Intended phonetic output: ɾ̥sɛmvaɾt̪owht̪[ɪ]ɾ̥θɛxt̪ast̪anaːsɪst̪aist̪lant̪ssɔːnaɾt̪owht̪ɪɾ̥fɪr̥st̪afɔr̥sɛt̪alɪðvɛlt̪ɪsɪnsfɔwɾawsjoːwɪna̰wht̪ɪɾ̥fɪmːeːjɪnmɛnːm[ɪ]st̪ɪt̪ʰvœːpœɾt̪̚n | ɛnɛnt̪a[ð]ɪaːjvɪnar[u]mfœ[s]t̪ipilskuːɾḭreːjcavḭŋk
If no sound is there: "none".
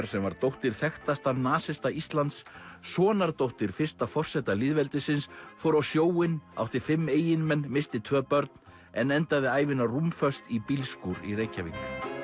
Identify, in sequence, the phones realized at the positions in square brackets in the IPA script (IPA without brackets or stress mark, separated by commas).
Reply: ɪ, ɪ, ð, u, s